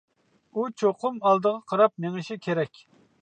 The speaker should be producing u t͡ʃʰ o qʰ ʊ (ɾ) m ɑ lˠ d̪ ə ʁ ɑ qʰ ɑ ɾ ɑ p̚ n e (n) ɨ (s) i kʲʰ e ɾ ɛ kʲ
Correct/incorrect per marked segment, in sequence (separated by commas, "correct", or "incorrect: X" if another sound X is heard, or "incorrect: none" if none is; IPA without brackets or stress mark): incorrect: none, incorrect: ŋ, incorrect: ʃ